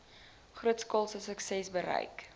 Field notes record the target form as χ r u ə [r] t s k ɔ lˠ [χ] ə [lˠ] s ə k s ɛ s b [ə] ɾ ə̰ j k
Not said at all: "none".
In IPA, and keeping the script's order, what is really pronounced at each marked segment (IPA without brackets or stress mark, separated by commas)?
none, s, none, ə